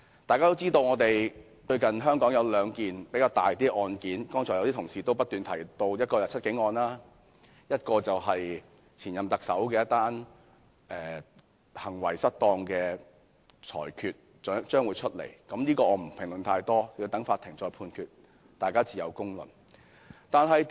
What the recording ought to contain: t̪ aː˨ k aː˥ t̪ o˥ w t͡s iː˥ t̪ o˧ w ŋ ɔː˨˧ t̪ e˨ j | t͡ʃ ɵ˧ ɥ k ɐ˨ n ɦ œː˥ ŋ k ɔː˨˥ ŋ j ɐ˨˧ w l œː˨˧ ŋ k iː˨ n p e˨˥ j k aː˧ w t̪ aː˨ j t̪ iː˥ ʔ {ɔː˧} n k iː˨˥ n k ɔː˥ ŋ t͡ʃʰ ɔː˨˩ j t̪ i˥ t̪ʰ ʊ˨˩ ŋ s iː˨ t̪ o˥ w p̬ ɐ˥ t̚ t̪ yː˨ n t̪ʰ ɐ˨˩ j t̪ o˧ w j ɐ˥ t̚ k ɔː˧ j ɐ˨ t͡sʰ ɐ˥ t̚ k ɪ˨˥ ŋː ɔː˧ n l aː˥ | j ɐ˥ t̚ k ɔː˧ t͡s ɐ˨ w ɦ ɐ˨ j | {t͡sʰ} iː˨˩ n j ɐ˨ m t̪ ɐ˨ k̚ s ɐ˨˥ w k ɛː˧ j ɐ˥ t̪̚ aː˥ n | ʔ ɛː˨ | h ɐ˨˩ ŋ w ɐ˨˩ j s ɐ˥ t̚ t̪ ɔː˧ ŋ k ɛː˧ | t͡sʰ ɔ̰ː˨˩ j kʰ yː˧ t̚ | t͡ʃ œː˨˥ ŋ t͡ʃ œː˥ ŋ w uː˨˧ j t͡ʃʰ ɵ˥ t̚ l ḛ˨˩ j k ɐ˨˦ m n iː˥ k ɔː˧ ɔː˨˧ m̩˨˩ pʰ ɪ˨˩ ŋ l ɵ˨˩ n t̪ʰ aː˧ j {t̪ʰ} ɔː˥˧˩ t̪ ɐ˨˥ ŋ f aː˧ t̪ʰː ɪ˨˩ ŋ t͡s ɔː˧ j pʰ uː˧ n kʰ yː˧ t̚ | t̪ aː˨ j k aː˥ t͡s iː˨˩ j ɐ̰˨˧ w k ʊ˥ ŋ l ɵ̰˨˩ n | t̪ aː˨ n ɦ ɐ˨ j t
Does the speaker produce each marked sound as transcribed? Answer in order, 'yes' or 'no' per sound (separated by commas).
yes, yes, no